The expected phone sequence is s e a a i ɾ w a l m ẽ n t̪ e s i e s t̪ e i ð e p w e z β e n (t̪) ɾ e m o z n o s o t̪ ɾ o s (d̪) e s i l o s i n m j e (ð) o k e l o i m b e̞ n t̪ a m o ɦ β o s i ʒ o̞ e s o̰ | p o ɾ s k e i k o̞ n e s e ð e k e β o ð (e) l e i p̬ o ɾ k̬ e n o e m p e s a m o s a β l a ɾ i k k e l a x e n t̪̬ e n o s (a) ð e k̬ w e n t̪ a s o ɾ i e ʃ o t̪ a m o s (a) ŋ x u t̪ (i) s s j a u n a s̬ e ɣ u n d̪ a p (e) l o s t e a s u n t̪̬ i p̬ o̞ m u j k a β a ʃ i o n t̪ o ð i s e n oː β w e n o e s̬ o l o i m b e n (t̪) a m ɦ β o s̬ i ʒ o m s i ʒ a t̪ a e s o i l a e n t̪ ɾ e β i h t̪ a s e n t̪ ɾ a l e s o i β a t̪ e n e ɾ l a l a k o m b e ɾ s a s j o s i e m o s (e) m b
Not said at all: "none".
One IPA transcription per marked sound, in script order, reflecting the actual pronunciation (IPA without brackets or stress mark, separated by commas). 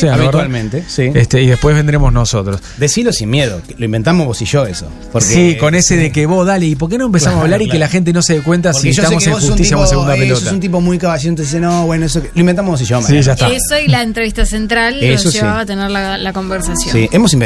d̪, d̪, ð, a, e, e, i, e, t̪, i